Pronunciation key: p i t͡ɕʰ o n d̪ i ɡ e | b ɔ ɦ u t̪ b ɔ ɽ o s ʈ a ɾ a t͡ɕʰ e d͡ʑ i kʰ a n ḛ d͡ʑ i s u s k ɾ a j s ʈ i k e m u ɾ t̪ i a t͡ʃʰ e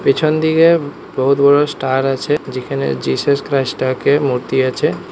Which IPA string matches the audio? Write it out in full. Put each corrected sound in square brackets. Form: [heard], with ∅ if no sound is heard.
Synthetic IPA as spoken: p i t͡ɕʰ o n d̪ i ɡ e | b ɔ ɦ u t̪ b ɔ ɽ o s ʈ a ɾ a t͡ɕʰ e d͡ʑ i kʰ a n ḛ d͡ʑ i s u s k ɾ a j s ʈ [a] k e m u ɾ t̪ i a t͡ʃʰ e